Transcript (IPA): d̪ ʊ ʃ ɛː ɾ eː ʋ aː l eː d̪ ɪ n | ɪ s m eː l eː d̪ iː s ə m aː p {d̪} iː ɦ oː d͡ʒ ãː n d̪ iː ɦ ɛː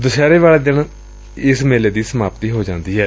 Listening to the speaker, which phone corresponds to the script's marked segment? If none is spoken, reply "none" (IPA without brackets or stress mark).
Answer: t̪